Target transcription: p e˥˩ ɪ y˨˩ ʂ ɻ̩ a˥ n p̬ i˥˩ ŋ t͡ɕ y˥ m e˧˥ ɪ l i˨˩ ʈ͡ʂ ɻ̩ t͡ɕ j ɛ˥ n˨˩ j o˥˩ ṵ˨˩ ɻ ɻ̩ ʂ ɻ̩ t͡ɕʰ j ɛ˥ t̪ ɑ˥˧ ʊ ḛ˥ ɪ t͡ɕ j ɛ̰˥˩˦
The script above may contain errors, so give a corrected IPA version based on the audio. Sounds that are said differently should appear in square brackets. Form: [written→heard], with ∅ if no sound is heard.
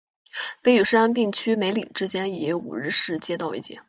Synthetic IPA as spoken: p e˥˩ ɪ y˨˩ ʂ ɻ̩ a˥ n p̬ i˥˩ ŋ [t͡ɕ→t͡ɕʰ] y˥ m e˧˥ ɪ l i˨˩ ʈ͡ʂ ɻ̩ t͡ɕ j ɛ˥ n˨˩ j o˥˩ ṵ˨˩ ɻ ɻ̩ ʂ ɻ̩ [t͡ɕʰ→t͡ɕ] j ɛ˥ t̪ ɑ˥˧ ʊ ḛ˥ ɪ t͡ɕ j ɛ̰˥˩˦